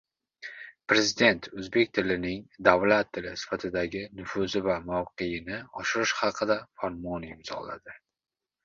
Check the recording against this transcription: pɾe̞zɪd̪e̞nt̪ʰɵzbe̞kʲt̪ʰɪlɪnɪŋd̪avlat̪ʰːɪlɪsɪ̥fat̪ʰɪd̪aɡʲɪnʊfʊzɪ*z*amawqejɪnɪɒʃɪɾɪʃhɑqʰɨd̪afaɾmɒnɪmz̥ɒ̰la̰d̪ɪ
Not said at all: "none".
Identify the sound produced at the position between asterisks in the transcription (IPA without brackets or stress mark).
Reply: v